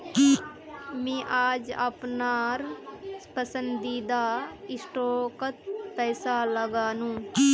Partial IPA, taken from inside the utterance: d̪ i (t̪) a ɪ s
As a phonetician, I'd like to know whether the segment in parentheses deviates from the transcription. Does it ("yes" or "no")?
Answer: yes